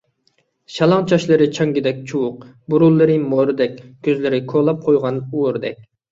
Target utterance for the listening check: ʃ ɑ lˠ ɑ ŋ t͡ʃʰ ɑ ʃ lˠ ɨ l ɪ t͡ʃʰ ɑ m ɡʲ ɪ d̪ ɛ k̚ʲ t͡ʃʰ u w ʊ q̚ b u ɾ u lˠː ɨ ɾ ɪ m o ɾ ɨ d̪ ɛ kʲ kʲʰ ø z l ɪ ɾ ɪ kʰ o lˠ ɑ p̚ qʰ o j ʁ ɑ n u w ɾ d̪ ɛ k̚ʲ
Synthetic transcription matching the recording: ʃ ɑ lˠ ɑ ŋ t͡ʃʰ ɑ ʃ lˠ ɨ ɾ ɪ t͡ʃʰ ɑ ŋ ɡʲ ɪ d̪ ɛ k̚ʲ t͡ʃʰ u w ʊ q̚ b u ɾ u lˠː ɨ ɾ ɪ m o ɾ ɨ d̪ ɛ kʲ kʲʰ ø z l ɪ ɾ ɪ kʰ o lˠ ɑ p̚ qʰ o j ʁ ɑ n u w ɾ d̪ ɛ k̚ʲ